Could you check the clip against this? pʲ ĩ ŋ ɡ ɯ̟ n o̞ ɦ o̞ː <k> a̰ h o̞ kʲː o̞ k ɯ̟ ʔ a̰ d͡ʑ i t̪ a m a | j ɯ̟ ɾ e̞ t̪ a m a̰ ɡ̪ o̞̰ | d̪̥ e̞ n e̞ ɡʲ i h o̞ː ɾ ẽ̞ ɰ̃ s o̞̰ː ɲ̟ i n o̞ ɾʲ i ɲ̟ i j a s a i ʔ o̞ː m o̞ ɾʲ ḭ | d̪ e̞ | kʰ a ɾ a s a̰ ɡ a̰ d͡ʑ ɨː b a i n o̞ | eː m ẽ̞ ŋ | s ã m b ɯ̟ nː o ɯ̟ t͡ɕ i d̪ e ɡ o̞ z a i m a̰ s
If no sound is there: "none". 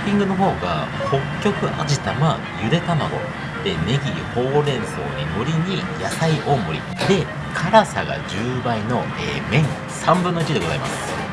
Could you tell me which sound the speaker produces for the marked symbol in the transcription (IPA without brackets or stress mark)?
ɡ